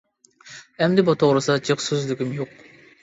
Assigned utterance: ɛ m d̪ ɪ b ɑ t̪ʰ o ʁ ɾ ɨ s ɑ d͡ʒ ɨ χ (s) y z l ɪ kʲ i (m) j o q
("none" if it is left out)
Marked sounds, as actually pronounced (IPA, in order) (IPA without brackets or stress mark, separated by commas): s, m